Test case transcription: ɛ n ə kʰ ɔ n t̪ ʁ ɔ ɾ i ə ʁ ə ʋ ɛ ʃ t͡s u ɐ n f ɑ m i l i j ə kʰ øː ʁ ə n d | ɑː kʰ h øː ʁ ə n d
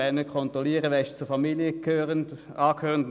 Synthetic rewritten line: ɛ n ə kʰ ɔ n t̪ ʁ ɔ l i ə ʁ ə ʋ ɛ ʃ t͡s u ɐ f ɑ m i l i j ə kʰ øː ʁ ə n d | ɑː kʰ h øː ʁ ə n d